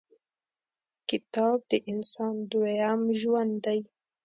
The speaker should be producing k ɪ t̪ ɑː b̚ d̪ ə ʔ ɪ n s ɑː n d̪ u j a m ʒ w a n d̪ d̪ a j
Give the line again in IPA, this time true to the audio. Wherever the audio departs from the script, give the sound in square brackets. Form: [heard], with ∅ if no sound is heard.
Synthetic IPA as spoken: k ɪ t̪ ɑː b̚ d̪ ə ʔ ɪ n s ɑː n d̪ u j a m ʒ w a n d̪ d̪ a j